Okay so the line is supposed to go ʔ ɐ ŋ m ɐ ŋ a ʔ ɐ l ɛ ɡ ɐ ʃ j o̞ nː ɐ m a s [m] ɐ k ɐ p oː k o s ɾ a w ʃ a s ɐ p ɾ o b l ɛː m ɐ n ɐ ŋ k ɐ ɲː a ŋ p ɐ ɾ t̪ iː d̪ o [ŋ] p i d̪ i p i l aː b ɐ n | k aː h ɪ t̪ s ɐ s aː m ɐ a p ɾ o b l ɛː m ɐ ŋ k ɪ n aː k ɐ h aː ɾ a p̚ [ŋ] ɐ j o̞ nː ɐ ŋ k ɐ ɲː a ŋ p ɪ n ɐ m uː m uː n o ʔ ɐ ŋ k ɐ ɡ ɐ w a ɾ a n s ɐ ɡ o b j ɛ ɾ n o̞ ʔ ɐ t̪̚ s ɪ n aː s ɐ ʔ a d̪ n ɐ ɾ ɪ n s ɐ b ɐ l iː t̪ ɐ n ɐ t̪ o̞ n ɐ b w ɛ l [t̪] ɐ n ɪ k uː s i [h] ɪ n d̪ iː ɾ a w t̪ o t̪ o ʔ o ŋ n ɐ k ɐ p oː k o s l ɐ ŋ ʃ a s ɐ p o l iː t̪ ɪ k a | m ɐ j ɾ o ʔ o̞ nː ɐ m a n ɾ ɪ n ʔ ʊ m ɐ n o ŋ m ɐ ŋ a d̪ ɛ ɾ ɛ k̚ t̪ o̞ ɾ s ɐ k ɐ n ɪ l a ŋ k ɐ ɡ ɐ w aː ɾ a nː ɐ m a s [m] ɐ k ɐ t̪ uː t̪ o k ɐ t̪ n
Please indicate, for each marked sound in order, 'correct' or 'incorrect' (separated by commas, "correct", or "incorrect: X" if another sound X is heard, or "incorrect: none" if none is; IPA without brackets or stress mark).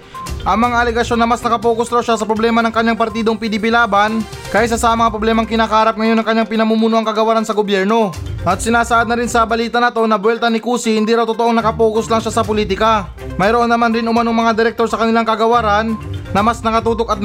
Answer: incorrect: n, correct, correct, correct, correct, incorrect: n